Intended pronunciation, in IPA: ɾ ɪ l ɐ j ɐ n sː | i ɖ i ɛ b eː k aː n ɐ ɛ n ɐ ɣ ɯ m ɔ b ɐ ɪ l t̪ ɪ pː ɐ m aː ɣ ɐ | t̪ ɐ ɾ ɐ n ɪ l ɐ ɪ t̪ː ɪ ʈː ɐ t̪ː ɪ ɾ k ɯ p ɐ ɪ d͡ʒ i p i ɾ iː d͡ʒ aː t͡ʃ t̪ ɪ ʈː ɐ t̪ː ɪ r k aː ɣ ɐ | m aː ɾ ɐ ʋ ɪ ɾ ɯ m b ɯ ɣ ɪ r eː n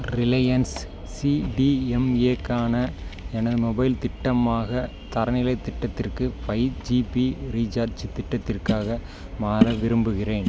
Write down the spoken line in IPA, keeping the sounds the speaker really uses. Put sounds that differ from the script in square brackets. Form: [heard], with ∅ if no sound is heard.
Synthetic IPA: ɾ ɪ l ɐ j ɐ n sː | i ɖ i ɛ [m] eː k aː n ɐ ɛ n ɐ [ð] ɯ m ɔ b ɐ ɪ l t̪ ɪ [ʈː] ɐ m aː ɣ ɐ | t̪ ɐ ɾ ɐ n ɪ l ɐ ɪ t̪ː ɪ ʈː ɐ t̪ː ɪ [r] k ɯ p ɐ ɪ d͡ʒ i p i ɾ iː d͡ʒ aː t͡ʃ t̪ ɪ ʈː ɐ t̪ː ɪ r k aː ɣ ɐ | m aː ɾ ɐ ʋ ɪ ɾ ɯ m b ɯ ɣ ɪ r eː n